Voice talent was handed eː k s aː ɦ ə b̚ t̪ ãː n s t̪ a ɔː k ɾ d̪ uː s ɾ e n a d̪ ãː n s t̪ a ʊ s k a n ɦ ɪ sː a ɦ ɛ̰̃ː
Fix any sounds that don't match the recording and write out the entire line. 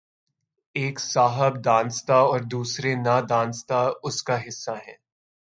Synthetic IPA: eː k s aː ɦ ə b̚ d̪ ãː n s t̪ a ɔː ɾ d̪ uː s ɾ e n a d̪ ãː n s t̪ a ʊ s k a ɦ ɪ sː a ɦ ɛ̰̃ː